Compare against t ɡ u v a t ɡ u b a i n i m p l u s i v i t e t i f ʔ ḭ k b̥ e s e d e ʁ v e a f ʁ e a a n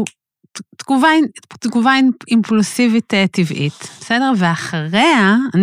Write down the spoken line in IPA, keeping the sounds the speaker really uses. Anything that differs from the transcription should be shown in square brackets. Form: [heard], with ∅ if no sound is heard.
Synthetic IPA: t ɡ u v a t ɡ u [v] a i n i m p l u s i v i t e t i [v] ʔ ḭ [t] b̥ e s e d e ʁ v e a [χ] ʁ e a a n